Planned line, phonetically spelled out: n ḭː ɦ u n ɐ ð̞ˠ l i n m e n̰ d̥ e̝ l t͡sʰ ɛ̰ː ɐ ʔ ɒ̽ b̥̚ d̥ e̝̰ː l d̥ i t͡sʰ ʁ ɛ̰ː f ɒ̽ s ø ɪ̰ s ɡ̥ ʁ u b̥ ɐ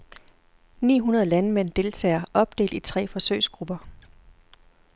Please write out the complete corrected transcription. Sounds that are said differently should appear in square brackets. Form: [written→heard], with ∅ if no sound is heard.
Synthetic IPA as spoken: n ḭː ɦ u n ɐ ð̞ˠ l [i→æ] n m e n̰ d̥ e̝ l t͡sʰ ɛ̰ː ɐ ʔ ɒ̽ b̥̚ d̥ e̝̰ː l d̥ i t͡sʰ ʁ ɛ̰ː f ɒ̽ s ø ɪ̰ s ɡ̥ ʁ u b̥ ɐ